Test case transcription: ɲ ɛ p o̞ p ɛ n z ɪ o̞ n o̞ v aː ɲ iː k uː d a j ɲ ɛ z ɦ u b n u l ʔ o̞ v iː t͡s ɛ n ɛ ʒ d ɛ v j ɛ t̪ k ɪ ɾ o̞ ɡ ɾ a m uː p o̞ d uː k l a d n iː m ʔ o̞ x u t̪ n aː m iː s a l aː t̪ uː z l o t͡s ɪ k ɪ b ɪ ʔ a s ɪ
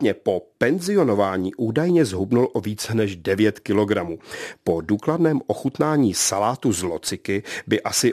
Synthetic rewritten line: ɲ ɛ p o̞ p ɛ n z ɪ o̞ n o̞ v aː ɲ iː ʔ uː d a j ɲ ɛ z ɦ u b n u l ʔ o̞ v iː t͡s ɛ n ɛ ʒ d ɛ v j ɛ t̪ k ɪ l o̞ ɡ ɾ a m uː p o̞ d uː k l a d n ɛː m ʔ o̞ x u t̪ n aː ɲ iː s a l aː t̪ u z l o t͡s ɪ k ɪ b ɪ ʔ a s ɪ